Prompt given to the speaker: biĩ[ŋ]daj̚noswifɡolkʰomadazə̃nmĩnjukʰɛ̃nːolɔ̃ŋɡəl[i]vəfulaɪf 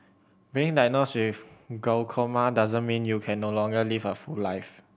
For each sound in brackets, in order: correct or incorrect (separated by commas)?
correct, correct